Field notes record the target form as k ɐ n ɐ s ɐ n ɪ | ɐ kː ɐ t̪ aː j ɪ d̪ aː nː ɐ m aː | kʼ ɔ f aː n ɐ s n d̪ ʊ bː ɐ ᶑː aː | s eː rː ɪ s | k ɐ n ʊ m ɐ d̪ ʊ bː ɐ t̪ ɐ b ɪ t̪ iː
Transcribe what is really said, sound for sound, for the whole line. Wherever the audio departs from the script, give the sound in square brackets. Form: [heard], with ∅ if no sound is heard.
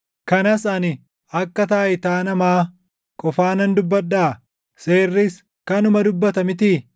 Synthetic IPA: k ɐ n ɐ s ɐ n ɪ | ɐ kː ɐ t̪ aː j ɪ [t̪] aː [n] ɐ m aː | kʼ ɔ f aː n ɐ [∅] n d̪ ʊ bː ɐ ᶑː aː | s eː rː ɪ s | k ɐ n ʊ m ɐ d̪ ʊ bː ɐ t̪ ɐ [m] ɪ t̪ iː